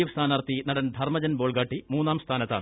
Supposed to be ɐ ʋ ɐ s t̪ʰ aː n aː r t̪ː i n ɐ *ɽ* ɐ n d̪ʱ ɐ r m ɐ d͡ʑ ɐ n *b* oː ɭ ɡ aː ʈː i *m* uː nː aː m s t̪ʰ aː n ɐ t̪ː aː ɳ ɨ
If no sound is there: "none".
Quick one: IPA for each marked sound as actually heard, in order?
ɽ, b, m

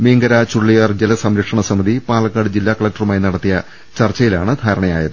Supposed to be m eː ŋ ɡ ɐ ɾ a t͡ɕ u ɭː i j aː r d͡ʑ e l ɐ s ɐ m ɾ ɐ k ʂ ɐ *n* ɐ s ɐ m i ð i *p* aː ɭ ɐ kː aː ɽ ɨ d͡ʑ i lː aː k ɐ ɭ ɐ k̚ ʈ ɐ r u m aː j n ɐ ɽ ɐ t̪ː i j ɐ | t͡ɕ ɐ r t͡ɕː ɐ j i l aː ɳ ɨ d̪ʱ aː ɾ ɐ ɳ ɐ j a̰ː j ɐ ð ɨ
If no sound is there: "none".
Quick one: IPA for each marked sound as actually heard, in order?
ɳ, p

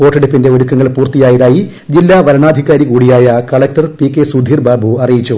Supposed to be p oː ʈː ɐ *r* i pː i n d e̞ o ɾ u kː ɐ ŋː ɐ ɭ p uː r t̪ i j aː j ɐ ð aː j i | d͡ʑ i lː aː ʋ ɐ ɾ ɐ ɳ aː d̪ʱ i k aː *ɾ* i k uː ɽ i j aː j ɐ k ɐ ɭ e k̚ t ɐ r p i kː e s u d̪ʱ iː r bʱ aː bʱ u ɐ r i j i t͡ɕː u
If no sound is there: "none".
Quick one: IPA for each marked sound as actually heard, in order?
ɽ, ɾ

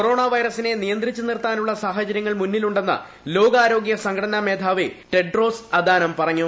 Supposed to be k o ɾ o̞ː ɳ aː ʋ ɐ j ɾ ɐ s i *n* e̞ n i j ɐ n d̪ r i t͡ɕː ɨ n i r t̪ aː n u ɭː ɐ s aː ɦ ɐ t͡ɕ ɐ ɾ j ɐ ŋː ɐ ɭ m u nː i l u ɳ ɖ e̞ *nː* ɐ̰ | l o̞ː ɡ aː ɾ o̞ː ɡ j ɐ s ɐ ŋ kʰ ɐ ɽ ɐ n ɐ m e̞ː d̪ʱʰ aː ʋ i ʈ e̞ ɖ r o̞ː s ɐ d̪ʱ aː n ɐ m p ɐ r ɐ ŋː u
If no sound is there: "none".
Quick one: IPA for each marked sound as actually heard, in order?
n, nː

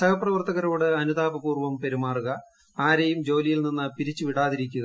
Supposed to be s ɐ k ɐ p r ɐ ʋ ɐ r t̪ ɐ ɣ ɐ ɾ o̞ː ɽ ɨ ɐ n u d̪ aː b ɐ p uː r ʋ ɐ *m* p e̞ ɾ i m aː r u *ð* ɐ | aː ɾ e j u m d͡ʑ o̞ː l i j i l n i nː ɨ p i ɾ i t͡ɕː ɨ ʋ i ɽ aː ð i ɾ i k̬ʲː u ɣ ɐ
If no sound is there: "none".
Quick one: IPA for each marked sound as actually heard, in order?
m, ɣ

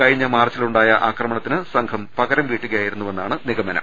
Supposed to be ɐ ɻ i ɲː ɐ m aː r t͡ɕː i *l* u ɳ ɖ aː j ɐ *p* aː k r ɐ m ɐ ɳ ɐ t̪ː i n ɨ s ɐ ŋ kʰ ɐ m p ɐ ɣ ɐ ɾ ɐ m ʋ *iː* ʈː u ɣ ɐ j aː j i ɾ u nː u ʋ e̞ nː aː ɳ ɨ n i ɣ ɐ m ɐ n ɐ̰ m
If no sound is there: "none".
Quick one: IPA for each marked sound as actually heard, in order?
l, ʔ, iː

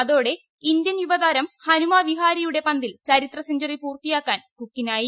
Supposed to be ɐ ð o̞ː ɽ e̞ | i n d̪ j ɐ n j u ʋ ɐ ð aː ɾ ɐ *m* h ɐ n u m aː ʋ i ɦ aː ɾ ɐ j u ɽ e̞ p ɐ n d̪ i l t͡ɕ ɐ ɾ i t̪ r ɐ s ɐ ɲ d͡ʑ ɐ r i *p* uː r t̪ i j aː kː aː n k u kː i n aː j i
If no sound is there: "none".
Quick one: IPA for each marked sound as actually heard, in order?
m, p

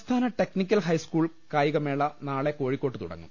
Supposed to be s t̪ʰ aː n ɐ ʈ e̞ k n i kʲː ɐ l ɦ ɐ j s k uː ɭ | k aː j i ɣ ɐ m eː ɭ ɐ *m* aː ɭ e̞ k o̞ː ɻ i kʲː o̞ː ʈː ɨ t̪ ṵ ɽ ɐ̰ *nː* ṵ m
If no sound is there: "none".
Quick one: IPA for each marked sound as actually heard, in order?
n, ŋː

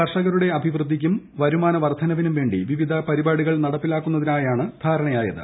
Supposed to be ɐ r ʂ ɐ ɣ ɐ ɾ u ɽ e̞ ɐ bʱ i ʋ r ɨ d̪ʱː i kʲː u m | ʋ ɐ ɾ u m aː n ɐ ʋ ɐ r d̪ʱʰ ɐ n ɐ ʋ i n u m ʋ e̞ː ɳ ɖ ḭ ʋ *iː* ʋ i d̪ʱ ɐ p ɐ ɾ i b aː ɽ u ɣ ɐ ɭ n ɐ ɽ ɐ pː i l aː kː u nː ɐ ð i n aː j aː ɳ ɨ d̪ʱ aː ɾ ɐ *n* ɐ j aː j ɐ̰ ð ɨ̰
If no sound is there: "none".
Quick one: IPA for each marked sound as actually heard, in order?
i, ɳ

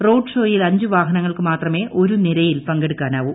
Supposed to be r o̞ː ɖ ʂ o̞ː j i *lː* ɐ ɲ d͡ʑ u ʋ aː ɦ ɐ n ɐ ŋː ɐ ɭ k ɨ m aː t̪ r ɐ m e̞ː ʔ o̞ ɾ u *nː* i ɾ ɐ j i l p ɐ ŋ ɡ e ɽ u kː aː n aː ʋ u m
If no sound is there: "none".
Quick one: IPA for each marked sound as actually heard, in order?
l, n

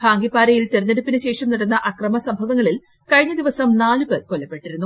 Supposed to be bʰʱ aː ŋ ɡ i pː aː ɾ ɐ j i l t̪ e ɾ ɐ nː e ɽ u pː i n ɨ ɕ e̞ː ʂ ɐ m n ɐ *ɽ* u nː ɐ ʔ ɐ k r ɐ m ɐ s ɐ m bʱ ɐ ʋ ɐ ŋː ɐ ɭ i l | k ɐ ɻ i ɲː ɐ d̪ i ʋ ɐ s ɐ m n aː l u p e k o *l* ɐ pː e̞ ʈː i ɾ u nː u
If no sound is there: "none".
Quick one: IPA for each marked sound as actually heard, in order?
ɽ, lː

